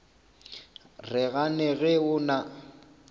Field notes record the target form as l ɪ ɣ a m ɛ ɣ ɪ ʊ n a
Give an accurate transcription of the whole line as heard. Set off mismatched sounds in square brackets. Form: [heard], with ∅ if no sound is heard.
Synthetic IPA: [r] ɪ ɣ a [n] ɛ ɣ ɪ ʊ n a